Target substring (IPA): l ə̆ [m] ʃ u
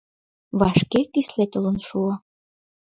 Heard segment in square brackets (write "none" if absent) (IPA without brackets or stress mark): n